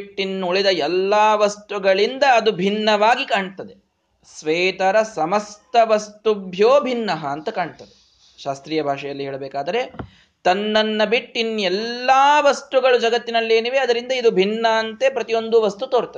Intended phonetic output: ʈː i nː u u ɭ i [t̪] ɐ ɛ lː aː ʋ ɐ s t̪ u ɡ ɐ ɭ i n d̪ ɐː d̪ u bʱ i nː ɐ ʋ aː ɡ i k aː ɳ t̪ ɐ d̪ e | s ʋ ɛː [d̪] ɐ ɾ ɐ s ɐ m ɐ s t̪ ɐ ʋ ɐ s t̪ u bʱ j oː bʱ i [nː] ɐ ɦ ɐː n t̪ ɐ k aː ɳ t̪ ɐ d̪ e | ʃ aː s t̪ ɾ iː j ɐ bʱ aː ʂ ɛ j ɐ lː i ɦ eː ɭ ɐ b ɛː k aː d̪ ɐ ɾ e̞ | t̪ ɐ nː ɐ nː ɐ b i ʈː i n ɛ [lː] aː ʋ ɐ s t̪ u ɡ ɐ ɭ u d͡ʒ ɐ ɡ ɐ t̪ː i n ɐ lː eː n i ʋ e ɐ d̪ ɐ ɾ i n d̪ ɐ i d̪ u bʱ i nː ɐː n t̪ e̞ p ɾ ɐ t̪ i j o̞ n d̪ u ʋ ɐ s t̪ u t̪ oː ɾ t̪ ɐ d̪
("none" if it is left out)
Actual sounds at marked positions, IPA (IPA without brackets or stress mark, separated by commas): d̪, t̪, nː, lː